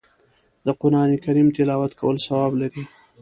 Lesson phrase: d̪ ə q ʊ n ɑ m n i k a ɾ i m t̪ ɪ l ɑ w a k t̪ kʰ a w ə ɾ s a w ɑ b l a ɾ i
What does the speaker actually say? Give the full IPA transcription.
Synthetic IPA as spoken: d̪ ə q ʊ n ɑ n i k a ɾ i m t̪ ɪ l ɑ w a t̪ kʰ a w ə l s a w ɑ b l a ɾ i